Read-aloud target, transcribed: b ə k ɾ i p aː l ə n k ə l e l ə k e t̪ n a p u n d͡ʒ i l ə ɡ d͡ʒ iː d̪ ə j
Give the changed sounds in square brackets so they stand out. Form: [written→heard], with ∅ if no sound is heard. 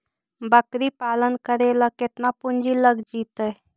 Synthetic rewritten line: b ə k ɾ i p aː l ə n k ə [l→ɾ] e l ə k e t̪ n a p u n d͡ʒ i l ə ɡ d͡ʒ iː [d̪→t̪] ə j

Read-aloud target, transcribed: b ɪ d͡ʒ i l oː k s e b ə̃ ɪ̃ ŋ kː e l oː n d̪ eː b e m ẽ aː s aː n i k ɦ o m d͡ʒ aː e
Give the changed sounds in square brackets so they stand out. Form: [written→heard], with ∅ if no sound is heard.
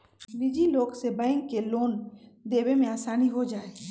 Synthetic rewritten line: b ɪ d͡ʒ i l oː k s e b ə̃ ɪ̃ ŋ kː e l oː n d̪ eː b e m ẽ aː s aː n i [k→∅] ɦ o [m→∅] d͡ʒ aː e

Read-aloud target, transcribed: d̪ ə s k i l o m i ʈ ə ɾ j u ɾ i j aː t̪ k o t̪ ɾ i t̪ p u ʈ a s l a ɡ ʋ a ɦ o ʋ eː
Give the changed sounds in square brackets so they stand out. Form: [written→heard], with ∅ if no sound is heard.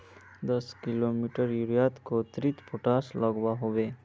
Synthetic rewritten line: d̪ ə s k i l o m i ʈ ə ɾ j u ɾ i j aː t̪ k o t̪ ɾ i t̪ p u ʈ a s l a ɡ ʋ a ɦ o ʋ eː

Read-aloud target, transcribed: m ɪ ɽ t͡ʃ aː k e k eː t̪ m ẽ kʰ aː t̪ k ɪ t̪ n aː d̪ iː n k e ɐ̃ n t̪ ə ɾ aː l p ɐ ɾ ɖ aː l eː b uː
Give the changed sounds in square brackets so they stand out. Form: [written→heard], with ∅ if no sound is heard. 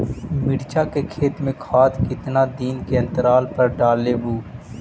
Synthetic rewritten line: m ɪ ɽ t͡ʃ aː k e [k→kʰ] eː t̪ m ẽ kʰ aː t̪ k ɪ t̪ n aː d̪ iː n k e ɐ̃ n t̪ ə ɾ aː l p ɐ ɾ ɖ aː l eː b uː

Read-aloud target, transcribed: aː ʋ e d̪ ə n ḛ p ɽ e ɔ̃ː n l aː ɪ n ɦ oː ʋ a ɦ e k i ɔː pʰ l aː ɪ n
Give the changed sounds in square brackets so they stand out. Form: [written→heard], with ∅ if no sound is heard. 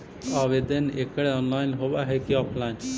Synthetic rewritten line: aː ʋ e d̪ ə n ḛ [p→k] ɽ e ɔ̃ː n l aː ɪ n ɦ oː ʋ a ɦ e k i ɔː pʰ l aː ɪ n

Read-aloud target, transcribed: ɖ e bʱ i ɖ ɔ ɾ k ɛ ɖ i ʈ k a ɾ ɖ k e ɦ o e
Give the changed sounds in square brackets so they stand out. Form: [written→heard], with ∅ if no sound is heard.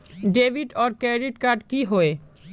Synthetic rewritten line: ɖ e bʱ i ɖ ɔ ɾ k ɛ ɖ i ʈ k a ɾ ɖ k [e→i] ɦ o e

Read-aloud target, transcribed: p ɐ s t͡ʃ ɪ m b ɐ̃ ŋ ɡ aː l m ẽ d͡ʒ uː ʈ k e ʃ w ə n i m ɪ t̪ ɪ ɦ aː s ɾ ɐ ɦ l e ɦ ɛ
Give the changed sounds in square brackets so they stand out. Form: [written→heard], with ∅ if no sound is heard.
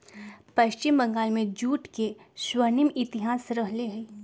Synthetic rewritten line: p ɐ [s→ʃ] t͡ʃ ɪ m b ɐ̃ ŋ ɡ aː l m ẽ d͡ʒ uː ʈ k e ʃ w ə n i m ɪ t̪ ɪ ɦ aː s ɾ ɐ ɦ l e ɦ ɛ

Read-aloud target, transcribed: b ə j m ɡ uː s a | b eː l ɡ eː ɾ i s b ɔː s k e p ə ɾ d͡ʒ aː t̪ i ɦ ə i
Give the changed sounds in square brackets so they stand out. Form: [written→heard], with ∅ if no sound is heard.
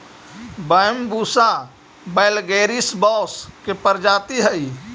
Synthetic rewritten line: b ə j m [ɡ→b] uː s a | b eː l ɡ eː ɾ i s b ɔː s k e p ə ɾ d͡ʒ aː t̪ i ɦ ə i

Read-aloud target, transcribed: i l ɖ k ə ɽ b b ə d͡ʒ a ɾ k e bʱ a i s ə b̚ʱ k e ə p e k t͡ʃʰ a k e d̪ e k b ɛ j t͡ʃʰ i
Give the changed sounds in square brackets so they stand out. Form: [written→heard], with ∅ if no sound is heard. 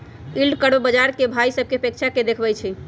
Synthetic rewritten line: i l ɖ k ə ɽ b b ə d͡ʒ a ɾ k e bʱ a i s ə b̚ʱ k e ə p e k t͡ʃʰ a k e d̪ e [k→kʰ] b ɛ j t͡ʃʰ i

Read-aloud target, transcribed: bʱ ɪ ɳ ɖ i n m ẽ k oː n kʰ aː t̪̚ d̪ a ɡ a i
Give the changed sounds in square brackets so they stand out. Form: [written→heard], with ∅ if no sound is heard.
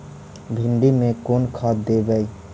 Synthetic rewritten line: bʱ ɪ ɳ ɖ i [n→∅] m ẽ k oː n kʰ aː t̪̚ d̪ [a→e] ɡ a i

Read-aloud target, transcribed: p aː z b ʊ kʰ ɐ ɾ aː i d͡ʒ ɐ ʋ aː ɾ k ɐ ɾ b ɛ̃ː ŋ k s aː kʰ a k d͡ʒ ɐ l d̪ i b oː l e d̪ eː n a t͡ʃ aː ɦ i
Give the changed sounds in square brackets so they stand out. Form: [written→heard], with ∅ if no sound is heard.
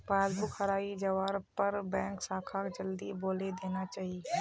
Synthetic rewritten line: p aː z b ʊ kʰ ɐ ɾ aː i d͡ʒ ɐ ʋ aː ɾ [k→p] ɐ ɾ b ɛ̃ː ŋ k s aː kʰ a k d͡ʒ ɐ l d̪ i b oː l e d̪ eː n a t͡ʃ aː ɦ i

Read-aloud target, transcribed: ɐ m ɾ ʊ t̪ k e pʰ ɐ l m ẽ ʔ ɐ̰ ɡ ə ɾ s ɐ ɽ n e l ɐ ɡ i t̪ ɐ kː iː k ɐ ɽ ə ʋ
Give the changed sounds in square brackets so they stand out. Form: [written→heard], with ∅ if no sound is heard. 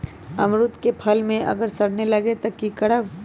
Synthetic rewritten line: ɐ m ɾ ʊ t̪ k e pʰ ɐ l m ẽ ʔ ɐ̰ ɡ ə ɾ s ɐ ɽ n e l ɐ ɡ [i→e] t̪ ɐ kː [iː→i] k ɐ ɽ ə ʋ

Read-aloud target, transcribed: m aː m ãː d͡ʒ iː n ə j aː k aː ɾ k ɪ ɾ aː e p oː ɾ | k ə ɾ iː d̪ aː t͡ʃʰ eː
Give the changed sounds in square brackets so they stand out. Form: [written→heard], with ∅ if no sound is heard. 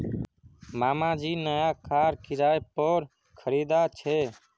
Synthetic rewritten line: m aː m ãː d͡ʒ iː n ə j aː k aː ɾ k ɪ ɾ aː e p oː ɾ | [k→kʰ] ə ɾ iː d̪ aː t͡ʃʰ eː

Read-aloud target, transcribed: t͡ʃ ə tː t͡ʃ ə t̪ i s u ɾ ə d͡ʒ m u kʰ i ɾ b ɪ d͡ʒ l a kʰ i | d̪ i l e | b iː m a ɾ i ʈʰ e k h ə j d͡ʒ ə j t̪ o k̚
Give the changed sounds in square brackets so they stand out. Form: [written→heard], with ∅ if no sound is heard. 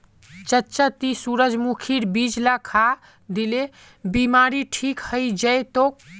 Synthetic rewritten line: t͡ʃ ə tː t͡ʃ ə t̪ i s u ɾ ə d͡ʒ m u kʰ i ɾ b [ɪ→i] d͡ʒ l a kʰ [i→a] | d̪ i l e | b [iː→i] m a ɾ i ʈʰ [e→i] k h ə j d͡ʒ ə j t̪ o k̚

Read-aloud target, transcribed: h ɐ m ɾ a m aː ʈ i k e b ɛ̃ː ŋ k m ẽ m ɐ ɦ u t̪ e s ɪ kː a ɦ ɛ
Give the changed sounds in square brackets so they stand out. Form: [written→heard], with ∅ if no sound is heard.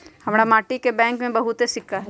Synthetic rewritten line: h ɐ m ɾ a m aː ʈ i k e b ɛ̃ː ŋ k m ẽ [m→b] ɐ ɦ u t̪ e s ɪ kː a ɦ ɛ

